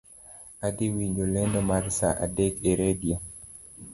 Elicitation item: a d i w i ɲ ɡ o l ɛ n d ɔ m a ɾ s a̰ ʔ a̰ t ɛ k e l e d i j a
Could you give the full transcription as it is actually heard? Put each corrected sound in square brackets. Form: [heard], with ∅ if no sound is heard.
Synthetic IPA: a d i w i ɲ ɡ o l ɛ n d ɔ m a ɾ s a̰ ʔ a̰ [d] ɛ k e [ɾ] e d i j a